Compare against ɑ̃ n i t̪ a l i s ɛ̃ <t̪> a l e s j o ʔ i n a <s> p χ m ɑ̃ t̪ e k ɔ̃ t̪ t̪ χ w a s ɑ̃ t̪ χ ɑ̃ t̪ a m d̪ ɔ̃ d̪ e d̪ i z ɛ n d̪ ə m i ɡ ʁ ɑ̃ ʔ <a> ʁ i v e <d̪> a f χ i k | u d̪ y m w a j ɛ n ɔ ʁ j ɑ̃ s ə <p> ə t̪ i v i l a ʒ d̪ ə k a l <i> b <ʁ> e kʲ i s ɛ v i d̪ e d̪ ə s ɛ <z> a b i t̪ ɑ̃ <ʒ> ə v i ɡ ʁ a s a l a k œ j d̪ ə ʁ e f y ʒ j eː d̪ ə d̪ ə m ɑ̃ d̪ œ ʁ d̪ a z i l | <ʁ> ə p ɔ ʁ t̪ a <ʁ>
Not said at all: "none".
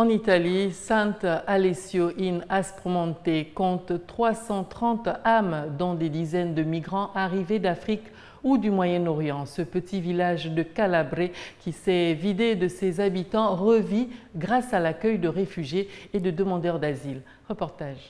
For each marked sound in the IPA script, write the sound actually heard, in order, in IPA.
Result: t̪, s, a, d̪, p, a, ʁ, z, ʁ, ʁ, ʒ

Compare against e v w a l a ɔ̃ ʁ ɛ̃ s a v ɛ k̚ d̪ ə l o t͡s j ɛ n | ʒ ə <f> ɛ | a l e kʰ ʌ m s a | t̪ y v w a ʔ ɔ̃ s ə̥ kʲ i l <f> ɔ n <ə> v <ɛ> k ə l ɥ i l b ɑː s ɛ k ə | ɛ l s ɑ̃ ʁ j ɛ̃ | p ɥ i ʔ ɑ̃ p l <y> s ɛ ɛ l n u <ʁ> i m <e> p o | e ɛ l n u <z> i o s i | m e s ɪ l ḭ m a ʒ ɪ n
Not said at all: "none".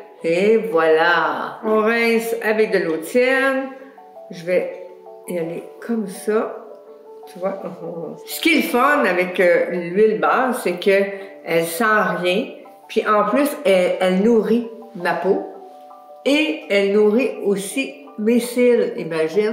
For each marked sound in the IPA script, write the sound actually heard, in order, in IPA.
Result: v, f, a, ɛ, y, ʁ, a, ʁ

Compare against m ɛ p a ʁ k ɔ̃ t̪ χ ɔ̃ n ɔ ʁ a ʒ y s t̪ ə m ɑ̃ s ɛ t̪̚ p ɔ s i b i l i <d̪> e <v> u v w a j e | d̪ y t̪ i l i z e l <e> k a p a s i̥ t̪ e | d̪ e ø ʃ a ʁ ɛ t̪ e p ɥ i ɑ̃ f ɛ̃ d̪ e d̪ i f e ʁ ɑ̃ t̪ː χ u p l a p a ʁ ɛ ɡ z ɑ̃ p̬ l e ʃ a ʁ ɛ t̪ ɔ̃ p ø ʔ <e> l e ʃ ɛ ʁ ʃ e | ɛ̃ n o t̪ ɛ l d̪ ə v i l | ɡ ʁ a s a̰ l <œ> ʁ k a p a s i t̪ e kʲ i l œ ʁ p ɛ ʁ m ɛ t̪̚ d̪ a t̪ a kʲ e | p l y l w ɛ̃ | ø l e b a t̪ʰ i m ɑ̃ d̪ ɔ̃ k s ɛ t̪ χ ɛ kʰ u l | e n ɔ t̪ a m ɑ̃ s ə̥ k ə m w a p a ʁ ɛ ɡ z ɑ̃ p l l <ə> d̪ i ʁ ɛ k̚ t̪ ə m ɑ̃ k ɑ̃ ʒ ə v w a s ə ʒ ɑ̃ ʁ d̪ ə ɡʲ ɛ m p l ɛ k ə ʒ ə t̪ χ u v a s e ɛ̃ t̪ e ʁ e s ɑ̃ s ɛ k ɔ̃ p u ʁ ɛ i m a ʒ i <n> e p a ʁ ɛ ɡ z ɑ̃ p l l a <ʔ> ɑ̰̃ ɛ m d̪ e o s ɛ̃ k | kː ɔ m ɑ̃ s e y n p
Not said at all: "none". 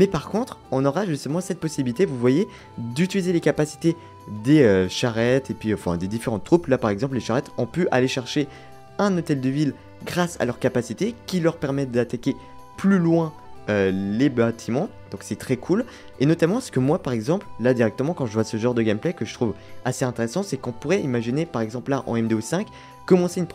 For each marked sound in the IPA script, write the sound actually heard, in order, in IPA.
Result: t̪, v, e, a, œ, a, n, ʔ

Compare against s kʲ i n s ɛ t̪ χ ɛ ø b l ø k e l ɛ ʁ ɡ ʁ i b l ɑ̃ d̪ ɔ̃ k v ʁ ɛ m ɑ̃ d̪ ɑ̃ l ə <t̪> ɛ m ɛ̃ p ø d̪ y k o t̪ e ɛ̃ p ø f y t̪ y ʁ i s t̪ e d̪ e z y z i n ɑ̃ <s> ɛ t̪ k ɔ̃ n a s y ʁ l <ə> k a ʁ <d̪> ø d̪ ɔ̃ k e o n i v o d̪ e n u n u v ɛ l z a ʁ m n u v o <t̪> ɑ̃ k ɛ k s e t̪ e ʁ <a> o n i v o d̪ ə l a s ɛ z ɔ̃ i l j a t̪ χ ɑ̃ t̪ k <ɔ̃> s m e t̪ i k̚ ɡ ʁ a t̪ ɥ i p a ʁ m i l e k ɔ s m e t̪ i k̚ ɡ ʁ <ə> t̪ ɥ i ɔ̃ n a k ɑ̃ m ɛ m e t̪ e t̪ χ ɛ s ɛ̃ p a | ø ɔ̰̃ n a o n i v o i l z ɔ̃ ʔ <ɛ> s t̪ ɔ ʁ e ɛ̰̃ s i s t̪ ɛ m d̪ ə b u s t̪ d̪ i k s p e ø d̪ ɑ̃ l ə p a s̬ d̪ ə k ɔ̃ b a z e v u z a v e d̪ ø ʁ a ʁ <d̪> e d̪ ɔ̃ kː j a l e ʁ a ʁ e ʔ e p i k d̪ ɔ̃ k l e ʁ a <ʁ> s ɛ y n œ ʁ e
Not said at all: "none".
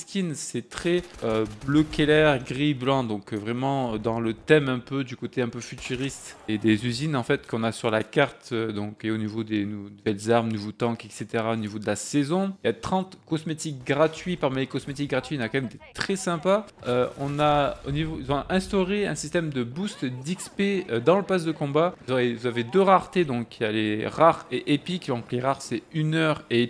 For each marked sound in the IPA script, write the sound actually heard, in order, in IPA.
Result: t̪, f, a, t̪, t̪, a, ɔ, a, ɛ̃, t̪, ʁ

